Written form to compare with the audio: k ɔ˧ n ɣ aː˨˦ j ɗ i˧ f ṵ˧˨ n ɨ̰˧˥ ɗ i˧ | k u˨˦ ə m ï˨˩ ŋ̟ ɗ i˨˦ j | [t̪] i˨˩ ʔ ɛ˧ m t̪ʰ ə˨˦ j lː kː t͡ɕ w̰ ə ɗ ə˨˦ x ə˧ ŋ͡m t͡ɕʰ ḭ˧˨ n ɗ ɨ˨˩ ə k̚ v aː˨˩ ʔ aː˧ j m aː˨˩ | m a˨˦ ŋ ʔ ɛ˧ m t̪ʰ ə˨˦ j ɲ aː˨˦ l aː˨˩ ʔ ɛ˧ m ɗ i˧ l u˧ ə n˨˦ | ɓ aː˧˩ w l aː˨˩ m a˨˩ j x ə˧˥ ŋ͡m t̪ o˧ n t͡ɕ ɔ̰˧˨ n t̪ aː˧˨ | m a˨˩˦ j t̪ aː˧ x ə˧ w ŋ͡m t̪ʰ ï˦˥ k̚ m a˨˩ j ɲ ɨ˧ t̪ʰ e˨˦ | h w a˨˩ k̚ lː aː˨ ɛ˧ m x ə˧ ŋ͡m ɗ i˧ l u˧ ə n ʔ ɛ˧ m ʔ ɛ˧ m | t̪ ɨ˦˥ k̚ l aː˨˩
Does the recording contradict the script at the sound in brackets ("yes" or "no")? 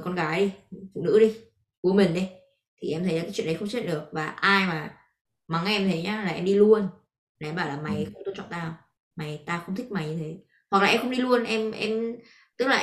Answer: yes